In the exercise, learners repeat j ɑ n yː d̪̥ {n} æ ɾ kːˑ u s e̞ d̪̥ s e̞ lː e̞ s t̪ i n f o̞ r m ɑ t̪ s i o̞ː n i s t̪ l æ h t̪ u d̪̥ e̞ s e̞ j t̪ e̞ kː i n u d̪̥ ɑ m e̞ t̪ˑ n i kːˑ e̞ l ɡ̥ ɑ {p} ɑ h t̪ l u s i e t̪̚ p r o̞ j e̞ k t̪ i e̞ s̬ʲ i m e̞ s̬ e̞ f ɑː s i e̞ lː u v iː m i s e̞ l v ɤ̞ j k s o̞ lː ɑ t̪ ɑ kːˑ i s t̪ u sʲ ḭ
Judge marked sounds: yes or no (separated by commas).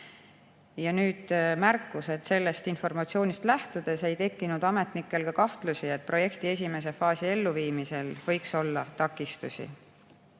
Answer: no, no